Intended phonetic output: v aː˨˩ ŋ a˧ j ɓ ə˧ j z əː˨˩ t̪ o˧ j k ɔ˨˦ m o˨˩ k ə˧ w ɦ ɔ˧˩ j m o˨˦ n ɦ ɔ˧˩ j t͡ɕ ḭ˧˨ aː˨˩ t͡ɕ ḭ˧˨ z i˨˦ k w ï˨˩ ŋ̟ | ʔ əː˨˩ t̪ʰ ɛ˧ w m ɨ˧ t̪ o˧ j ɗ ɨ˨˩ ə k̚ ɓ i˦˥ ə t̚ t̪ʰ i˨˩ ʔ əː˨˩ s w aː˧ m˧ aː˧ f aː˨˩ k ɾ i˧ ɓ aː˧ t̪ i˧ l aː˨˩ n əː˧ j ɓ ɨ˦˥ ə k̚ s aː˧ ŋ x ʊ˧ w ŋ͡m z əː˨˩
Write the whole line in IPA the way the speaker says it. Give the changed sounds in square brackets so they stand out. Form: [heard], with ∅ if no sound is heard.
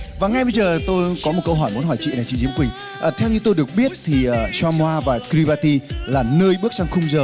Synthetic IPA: v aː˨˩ ŋ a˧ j ɓ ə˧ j z əː˨˩ t̪ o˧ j k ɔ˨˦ m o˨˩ k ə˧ w ɦ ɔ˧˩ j m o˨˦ n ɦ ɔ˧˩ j t͡ɕ ḭ˧˨ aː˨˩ t͡ɕ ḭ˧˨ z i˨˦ k w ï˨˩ ŋ̟ | ʔ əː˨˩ t̪ʰ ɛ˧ w [ɲ] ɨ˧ t̪ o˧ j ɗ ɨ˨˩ ə k̚ ɓ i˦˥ ə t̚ t̪ʰ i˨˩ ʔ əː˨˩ s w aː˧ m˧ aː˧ [v] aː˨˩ k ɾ i˧ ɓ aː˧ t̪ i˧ l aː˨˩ n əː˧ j ɓ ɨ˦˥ ə k̚ s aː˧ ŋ x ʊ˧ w ŋ͡m z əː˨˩